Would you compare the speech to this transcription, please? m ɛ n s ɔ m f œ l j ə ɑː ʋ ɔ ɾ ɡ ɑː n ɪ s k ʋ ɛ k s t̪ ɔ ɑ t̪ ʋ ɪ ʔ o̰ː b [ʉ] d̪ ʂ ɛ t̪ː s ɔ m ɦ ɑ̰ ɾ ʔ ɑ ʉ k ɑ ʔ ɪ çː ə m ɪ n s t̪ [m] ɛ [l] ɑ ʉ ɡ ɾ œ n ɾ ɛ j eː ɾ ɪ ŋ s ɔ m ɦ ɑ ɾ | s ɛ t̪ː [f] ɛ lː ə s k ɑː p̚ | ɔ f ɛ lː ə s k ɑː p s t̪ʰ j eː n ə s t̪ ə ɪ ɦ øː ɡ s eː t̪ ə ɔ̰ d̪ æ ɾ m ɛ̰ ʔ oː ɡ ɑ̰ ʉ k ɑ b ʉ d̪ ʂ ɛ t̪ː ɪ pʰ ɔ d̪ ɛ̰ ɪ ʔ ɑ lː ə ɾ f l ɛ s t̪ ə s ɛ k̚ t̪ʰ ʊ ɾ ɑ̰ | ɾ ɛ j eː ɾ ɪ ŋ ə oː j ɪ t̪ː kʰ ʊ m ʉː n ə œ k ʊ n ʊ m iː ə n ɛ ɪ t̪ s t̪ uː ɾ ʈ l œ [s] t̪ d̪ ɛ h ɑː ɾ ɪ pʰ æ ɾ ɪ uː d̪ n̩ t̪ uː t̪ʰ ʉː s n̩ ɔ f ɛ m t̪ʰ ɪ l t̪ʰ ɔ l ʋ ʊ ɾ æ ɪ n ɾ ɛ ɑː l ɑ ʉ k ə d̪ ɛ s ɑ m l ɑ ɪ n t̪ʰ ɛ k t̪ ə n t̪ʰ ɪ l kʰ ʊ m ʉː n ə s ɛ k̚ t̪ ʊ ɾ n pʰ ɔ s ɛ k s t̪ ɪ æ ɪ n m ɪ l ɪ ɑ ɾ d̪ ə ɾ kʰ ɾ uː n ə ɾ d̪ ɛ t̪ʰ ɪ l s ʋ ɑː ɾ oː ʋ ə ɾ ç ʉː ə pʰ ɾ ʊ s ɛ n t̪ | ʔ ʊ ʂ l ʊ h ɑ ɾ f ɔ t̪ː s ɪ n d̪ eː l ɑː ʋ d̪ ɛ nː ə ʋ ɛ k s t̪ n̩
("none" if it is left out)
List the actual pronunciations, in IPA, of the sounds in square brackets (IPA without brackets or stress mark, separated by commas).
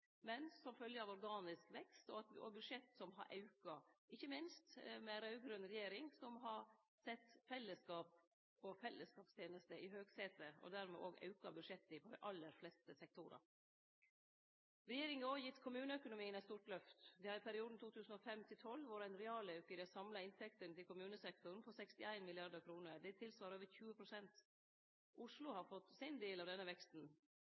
ʉ, m, ɾ, f, f